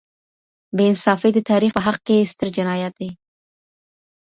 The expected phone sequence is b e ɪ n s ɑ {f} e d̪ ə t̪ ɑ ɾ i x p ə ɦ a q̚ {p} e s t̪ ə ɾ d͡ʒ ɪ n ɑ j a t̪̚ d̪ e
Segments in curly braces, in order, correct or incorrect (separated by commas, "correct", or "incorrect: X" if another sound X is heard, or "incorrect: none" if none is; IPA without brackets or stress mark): correct, incorrect: k